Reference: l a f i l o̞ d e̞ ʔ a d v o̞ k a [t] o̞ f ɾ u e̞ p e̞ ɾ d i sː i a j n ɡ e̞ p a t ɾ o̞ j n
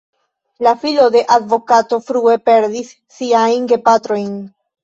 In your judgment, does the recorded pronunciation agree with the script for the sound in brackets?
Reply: yes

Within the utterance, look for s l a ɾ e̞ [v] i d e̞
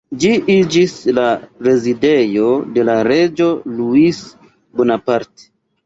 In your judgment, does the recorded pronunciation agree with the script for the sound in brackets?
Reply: no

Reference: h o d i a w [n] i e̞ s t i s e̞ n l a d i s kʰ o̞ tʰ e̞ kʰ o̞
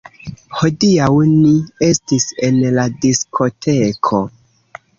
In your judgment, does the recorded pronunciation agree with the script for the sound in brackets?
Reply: yes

